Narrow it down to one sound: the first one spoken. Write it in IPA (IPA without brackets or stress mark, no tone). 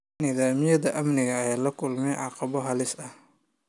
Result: n